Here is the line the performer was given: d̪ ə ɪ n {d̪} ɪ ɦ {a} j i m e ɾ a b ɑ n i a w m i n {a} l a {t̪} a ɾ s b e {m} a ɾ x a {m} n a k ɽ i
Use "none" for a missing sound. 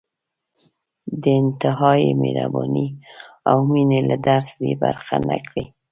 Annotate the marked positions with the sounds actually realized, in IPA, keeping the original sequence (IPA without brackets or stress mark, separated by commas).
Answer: t̪, ɑ, e, d̪, b, none